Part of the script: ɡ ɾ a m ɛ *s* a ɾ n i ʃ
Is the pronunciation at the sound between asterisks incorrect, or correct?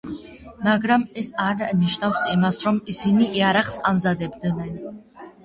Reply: correct